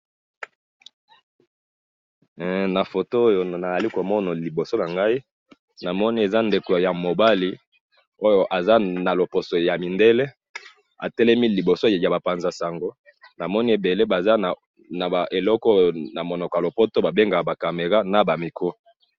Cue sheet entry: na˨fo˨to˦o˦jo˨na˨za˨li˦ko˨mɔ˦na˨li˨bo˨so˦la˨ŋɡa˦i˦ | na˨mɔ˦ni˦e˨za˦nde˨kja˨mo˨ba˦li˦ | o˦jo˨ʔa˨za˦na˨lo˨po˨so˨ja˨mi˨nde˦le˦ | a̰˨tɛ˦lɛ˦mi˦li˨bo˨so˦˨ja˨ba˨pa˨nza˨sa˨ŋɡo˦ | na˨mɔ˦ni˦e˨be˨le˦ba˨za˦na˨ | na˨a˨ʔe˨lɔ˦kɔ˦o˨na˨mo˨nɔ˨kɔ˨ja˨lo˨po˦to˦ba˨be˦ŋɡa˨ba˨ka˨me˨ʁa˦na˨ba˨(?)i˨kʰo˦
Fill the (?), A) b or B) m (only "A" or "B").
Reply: B